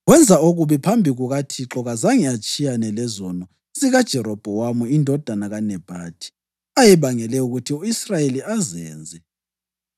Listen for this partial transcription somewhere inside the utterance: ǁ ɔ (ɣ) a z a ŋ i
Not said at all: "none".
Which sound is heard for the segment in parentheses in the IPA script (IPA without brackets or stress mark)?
ɣ